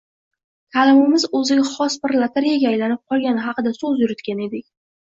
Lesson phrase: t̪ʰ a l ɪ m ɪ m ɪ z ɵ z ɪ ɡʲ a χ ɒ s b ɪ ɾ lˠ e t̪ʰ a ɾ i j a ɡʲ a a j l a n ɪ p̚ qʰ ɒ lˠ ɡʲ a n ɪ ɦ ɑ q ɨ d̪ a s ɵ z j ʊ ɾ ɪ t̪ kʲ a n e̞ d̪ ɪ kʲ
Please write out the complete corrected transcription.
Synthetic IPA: t̪ʰ a l ɪ m ɪ m ɪ z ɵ z ɪ ɡʲ a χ ɒ s b ɪ ɾ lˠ a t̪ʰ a ɾ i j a ɡʲ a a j l a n ɪ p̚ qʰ ɒ lˠ ɡʲ a n ɪ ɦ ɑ q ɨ d̪ a s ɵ z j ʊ ɾ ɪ t̪ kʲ a n e̞ d̪ ɪ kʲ